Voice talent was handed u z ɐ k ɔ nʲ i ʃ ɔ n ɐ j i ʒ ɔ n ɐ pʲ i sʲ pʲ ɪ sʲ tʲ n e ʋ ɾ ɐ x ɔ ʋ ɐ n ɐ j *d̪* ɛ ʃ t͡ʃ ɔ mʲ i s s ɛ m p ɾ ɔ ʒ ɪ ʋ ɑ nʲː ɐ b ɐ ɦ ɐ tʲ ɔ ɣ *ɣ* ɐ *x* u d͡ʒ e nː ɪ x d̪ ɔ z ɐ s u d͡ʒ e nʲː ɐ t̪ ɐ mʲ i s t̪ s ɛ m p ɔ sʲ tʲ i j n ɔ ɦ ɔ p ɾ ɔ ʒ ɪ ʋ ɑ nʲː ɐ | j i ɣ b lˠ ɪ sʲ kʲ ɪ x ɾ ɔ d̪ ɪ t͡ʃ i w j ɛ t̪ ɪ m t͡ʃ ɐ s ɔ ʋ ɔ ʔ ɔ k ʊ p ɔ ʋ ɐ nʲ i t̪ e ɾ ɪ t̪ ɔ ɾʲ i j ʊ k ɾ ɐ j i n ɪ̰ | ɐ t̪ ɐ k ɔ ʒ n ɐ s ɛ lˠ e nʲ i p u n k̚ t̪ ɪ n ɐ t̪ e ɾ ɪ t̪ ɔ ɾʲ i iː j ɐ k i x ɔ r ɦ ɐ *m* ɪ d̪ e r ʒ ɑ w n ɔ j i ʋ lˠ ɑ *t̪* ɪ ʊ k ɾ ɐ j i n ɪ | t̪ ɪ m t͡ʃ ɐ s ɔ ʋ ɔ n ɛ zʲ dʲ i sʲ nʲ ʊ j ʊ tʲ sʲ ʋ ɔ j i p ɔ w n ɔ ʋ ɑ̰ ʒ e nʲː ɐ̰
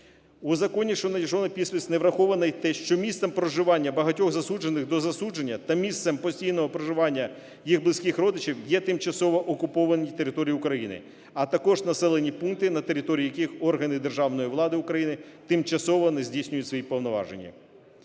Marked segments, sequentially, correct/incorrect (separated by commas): incorrect, incorrect, incorrect, incorrect, incorrect